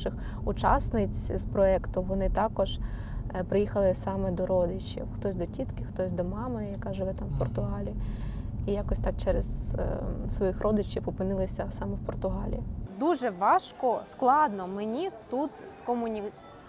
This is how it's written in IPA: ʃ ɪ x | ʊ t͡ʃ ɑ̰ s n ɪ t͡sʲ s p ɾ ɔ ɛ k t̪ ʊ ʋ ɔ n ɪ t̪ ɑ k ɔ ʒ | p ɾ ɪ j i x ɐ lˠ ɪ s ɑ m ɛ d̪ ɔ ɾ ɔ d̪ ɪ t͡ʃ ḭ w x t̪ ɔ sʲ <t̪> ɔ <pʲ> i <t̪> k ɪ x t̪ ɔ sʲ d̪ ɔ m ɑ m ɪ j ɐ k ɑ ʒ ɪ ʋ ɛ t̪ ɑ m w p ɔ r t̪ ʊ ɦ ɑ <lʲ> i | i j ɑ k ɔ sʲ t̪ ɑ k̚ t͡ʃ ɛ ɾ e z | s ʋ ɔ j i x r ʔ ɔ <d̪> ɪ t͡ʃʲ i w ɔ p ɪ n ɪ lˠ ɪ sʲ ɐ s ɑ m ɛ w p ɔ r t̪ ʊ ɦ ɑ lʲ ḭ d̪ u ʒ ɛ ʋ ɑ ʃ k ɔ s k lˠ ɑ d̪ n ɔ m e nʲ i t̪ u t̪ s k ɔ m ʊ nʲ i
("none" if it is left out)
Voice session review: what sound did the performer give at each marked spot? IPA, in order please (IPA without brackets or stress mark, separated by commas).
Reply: d̪, tʲ, t̪, lʲ, d̪